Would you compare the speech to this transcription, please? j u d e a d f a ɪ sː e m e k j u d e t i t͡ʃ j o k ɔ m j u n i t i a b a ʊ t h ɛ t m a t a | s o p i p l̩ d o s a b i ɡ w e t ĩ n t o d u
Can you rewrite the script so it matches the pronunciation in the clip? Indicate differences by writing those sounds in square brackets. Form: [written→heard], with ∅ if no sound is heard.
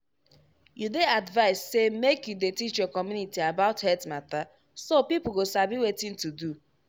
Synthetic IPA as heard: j u d e a d [f→v] a ɪ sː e m e k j u d e t i t͡ʃ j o k ɔ m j u n i t i a b a ʊ t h ɛ t m a t a | s o p i p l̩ [d→ɡ] o s a b i [ɡ→∅] w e t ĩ n t [o→u] d u